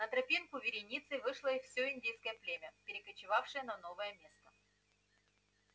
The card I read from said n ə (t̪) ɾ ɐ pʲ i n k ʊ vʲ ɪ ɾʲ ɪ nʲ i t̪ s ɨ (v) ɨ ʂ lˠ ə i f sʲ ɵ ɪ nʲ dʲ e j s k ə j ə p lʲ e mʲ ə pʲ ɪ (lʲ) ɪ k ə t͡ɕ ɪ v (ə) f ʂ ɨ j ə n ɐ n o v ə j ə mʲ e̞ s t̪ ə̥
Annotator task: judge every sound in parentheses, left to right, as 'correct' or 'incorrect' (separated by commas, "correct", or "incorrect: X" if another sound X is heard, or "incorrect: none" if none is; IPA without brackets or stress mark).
correct, correct, incorrect: ɾʲ, incorrect: a